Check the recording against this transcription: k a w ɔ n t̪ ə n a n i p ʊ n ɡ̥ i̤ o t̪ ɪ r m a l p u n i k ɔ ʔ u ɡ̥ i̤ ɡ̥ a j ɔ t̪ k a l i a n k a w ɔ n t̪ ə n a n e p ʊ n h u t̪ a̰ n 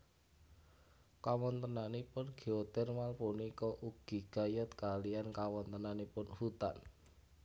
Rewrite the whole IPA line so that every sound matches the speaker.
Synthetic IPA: k a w ɔ n t̪ ə n a n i p ʊ n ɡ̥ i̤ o t̪ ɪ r m a l p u n i k ɔ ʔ u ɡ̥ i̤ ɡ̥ a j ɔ t̪ k a l i a n k a w ɔ n t̪ ə n a n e p ʊ n h u t̪ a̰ n